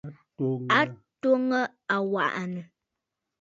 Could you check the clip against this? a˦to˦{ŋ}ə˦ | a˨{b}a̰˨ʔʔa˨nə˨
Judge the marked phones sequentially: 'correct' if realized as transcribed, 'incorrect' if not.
correct, incorrect

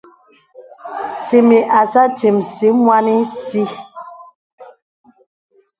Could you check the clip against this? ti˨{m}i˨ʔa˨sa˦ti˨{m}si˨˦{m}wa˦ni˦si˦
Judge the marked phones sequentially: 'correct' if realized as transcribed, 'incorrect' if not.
correct, correct, correct

